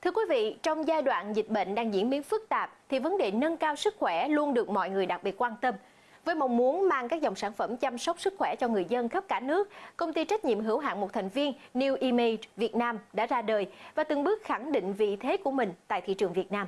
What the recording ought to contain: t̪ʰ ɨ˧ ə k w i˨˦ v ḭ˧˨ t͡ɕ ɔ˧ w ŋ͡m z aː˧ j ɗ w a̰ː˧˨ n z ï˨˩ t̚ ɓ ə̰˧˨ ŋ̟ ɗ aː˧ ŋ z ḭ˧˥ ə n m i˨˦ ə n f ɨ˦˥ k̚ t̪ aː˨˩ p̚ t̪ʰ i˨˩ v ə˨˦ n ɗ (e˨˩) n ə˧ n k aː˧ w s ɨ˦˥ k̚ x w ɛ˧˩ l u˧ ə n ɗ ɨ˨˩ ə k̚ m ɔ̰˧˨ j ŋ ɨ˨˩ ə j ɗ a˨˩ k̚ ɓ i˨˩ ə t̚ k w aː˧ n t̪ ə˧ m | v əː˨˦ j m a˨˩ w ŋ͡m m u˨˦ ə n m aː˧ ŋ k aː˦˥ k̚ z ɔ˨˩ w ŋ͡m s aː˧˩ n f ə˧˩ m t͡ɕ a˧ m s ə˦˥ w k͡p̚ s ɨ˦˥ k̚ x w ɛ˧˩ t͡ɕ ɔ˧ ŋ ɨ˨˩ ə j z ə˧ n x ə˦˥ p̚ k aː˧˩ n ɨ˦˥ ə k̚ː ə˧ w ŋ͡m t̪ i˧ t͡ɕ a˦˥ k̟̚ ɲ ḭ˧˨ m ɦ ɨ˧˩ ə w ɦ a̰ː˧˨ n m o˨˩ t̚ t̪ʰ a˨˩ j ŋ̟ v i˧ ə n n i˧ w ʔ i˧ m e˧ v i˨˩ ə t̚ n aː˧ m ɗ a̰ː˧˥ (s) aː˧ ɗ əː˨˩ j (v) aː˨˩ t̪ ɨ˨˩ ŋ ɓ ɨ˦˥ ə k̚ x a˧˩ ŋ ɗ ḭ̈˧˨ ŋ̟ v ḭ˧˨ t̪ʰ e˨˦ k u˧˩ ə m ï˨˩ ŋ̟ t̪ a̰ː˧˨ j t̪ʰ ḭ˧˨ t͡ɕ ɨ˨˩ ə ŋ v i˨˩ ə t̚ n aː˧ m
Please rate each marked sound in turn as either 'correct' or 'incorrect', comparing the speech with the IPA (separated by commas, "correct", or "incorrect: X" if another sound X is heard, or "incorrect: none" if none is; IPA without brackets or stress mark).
correct, incorrect: z, correct